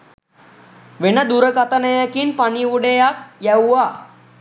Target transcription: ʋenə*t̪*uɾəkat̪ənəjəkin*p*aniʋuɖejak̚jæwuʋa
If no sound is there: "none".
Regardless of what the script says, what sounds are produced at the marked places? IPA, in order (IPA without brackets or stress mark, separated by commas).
d̪, p